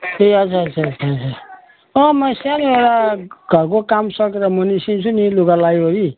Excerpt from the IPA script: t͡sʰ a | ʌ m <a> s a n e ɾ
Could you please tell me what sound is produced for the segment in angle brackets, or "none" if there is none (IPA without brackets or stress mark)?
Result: ʌ